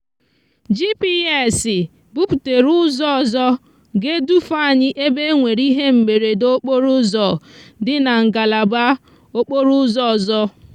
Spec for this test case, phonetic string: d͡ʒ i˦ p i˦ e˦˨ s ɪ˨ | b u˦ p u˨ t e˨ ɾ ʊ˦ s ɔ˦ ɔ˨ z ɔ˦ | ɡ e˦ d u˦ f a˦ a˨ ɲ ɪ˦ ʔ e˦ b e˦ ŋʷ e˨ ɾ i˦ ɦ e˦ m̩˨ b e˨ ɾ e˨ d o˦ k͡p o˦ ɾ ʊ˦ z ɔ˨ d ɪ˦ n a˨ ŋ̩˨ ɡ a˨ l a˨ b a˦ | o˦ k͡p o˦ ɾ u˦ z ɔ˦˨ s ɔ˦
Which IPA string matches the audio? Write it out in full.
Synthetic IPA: d͡ʒ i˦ p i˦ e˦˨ s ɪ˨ | b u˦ p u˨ t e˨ ɾ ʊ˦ z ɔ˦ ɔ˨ z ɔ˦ | ɡ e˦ d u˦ f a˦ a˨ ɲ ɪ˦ ʔ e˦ b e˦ ŋʷ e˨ ɾ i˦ ɦ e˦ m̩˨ m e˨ ɾ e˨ d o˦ k͡p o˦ ɾ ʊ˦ z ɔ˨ d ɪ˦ n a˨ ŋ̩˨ ɡ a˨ l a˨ b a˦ | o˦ k͡p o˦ ɾ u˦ z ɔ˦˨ z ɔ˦